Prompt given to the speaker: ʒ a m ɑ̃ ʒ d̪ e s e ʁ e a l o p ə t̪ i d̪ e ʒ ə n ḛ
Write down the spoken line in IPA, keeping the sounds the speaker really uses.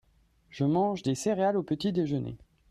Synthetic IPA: ʒ ə m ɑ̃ ʒ d̪ e s e ʁ e a l o p ə t̪ i d̪ e ʒ ə n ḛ